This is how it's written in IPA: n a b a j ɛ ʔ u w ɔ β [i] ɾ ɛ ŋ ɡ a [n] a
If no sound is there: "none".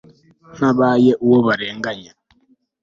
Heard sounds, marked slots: a, ɲ

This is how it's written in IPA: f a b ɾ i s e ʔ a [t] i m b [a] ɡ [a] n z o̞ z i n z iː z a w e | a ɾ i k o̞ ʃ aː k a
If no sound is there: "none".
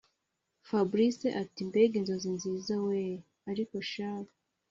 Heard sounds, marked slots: t, e, i

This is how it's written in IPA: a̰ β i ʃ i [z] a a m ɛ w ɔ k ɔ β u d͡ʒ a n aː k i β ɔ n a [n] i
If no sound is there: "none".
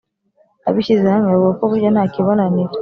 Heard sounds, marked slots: z, n

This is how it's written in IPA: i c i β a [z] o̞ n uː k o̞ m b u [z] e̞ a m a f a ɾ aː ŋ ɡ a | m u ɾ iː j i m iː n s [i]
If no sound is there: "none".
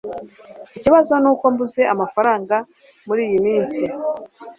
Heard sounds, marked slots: z, z, i

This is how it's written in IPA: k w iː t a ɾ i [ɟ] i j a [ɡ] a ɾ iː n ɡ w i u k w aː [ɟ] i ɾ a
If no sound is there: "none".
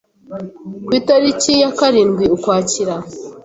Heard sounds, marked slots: c, k, c

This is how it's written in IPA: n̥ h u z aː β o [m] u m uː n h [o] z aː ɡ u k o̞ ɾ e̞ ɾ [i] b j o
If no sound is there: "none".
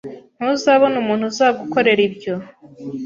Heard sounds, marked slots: n, u, i

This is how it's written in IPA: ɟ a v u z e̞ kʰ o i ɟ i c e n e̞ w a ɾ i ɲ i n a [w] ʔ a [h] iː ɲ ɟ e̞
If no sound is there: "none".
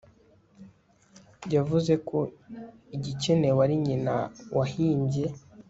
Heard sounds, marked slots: w, h

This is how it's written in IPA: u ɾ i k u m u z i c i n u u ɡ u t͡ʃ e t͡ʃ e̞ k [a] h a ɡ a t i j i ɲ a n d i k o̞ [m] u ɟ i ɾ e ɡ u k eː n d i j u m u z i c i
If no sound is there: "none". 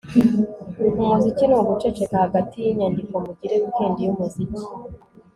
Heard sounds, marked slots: a, m

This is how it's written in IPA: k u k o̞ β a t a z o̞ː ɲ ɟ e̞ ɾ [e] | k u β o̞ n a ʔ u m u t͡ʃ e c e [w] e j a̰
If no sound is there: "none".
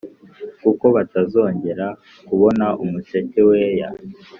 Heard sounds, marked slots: a, w

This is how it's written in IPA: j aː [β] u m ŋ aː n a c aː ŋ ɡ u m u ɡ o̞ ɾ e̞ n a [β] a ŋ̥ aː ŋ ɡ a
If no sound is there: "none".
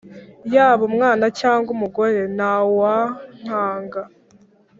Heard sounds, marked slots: β, w

